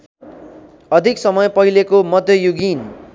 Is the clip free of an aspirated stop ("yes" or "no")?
yes